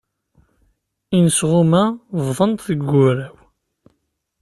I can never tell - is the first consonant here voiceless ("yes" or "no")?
no